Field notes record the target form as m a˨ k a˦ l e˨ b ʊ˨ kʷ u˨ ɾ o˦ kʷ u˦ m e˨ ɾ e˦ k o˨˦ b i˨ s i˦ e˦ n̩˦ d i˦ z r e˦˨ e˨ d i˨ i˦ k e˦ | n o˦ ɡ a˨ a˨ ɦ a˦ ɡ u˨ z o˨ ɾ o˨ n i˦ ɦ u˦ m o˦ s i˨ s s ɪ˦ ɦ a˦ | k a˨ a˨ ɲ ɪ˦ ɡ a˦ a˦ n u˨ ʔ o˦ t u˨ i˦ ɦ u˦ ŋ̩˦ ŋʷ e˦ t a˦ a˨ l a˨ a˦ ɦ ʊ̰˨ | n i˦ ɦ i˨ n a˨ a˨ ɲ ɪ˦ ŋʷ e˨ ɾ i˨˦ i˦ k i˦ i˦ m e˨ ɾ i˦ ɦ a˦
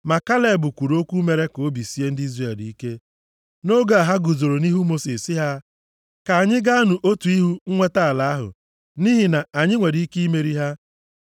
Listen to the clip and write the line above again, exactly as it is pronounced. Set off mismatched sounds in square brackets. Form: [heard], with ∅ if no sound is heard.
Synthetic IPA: m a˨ k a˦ l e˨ b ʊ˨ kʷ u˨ ɾ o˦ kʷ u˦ m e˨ ɾ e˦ k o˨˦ b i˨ s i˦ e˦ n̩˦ d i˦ z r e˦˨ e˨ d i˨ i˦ k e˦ | n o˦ ɡ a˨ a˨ ɦ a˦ ɡ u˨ z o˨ ɾ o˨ n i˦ ɦ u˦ m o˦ s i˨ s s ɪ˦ ɦ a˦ | k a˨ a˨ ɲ ɪ˦ ɡ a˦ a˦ n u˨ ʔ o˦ t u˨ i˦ ɦ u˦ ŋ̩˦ ŋʷ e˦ t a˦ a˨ l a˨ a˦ ɦ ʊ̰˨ | n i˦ ɦ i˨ n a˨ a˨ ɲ ɪ˦ ŋʷ e˨ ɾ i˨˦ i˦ k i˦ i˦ m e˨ ɾ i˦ ɦ a˦